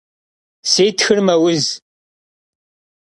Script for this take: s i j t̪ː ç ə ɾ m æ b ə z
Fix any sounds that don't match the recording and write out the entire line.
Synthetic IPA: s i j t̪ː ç ə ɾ m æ w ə z